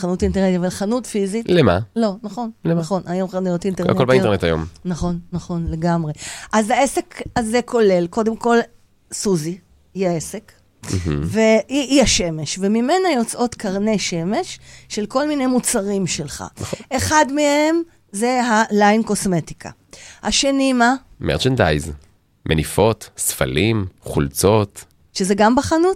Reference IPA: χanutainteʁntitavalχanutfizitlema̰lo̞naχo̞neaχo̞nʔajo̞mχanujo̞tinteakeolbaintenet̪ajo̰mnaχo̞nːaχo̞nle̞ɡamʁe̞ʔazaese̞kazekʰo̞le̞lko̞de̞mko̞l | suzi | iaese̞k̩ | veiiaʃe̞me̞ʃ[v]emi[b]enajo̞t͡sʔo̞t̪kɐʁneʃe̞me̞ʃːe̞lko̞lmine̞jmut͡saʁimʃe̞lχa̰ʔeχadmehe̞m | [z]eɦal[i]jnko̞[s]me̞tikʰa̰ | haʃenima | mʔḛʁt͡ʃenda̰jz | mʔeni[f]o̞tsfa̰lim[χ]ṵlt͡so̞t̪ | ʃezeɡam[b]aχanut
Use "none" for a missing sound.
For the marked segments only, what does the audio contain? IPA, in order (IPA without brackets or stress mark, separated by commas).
v, m, z, a, s, f, χ, b